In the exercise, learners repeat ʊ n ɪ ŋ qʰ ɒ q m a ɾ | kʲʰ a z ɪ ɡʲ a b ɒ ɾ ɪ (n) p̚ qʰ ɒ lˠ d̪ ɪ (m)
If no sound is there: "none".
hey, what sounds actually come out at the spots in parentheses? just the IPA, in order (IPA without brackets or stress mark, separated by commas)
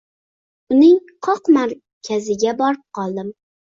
none, m